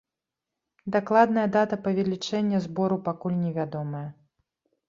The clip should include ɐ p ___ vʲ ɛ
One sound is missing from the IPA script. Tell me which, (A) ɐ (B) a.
A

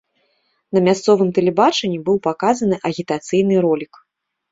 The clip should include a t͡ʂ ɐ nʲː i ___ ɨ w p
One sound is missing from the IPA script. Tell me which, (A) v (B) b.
B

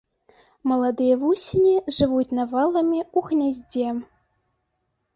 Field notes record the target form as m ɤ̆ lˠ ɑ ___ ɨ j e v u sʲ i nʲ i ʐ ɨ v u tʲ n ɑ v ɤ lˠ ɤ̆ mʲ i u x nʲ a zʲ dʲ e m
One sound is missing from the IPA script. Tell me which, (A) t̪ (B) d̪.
B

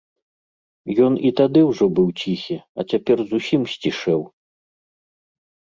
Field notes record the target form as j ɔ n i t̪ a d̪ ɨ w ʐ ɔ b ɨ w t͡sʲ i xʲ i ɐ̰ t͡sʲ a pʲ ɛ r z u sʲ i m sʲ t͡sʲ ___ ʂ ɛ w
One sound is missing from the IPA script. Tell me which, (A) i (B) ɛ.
A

